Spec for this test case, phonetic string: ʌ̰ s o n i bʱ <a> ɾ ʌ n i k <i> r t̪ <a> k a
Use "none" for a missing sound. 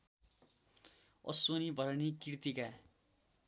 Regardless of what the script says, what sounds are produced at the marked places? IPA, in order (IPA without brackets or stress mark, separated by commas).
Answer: ʌ, i, i